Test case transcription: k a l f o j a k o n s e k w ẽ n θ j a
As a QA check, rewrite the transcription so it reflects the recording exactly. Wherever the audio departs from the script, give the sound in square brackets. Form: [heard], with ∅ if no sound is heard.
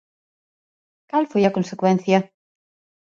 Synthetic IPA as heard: k a l f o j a k o n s e k w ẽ n θ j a